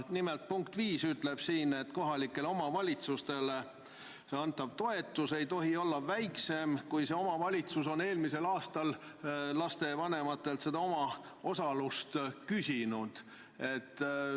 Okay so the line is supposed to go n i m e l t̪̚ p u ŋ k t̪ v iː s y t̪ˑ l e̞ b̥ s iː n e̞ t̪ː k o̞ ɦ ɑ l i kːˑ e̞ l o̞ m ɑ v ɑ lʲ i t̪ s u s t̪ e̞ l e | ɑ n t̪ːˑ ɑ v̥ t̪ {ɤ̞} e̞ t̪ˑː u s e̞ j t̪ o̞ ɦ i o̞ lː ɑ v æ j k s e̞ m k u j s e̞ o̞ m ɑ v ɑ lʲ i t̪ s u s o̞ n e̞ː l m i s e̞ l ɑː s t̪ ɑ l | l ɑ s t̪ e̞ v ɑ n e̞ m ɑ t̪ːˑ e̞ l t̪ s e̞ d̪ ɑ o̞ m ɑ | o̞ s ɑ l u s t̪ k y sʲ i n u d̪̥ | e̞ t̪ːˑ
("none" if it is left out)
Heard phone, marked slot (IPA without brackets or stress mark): o̞